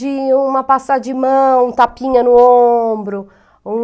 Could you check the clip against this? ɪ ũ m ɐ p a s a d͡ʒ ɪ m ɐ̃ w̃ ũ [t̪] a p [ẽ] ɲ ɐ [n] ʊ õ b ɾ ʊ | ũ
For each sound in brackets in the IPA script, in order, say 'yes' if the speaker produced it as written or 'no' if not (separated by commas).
yes, no, yes